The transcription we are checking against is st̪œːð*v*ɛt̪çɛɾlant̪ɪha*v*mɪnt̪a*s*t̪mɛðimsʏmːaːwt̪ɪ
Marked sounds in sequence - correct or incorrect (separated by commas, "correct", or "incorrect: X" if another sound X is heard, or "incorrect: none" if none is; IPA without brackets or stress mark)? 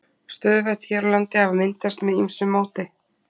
correct, correct, correct